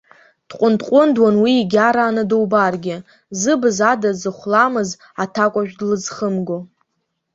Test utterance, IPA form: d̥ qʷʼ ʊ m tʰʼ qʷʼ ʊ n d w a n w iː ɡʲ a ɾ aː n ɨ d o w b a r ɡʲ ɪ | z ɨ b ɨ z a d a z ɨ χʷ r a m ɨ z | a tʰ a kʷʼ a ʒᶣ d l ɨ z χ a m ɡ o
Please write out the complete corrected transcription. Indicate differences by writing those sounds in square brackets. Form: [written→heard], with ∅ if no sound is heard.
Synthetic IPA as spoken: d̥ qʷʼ ʊ [m→n] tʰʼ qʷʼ ʊ n d w a n w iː ɡʲ a ɾ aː n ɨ d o w b a r ɡʲ ɪ | z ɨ b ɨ z a d a z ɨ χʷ [r→l] a m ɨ z | a tʰ a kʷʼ a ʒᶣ d l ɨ z χ [a→ə] m ɡ o